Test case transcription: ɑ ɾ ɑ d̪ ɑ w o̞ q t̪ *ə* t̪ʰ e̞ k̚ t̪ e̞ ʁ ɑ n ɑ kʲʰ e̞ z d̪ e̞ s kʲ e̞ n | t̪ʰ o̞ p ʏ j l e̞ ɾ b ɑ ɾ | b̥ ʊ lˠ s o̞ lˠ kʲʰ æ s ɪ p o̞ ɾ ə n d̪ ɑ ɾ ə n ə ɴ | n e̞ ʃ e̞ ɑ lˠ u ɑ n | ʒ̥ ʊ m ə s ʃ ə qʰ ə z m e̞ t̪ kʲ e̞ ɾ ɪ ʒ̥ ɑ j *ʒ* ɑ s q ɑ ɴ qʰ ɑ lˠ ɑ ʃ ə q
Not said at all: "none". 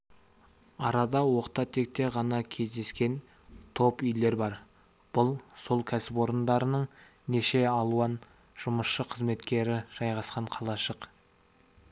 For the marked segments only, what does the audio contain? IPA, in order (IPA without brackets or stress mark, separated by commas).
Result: ɑ, ʁ